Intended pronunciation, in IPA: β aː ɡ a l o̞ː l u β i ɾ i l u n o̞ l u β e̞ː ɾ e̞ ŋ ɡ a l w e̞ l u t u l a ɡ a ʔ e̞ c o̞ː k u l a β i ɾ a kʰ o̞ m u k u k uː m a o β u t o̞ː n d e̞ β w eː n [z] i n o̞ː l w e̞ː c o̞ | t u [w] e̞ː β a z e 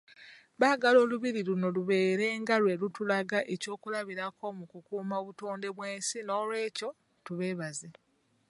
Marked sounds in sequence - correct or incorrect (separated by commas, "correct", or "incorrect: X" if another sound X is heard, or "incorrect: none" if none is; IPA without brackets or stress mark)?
incorrect: s, incorrect: β